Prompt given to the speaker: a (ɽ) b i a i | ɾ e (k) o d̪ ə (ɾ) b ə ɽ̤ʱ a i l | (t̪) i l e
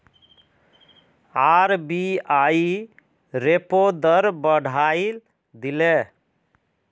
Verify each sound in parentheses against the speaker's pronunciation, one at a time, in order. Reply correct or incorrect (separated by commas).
incorrect, incorrect, correct, incorrect